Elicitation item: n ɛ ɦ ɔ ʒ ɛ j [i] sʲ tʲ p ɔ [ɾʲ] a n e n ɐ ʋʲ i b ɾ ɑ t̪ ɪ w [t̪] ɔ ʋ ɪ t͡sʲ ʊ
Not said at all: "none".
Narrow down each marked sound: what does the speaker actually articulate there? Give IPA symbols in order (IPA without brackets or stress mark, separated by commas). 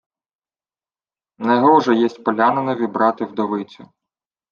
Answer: ɛ, lʲ, d̪